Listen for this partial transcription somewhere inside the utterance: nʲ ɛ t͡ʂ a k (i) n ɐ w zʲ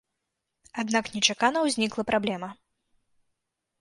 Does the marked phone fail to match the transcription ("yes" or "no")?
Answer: yes